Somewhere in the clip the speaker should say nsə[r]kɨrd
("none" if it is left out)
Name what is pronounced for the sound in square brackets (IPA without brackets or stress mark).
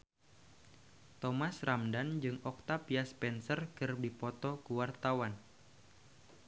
r